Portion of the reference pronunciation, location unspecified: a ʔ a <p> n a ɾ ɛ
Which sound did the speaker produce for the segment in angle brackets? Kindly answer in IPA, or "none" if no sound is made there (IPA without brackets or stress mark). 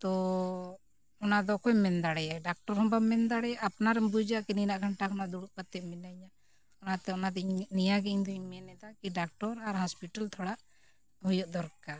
p